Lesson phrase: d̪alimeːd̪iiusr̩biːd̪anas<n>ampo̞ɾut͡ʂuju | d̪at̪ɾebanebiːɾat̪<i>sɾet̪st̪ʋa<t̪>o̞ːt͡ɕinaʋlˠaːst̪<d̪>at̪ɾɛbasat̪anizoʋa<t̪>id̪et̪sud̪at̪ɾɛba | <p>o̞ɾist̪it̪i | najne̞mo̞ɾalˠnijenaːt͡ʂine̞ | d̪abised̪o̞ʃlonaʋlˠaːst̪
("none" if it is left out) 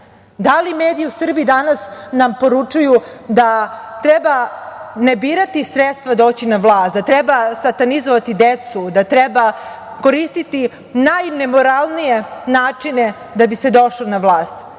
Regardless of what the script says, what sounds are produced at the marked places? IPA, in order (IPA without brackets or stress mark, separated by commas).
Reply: n, i, d̪, d̪, t̪, k